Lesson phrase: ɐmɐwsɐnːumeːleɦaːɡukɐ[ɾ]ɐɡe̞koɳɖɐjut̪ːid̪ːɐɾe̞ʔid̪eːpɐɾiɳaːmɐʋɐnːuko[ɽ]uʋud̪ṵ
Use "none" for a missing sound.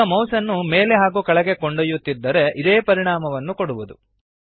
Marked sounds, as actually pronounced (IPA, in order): ɭ, ɽ

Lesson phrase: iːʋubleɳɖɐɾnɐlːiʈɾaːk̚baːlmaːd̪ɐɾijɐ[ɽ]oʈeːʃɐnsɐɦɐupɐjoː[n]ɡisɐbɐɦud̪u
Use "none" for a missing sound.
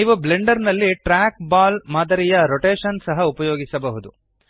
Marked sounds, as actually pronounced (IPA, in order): ɾ, none

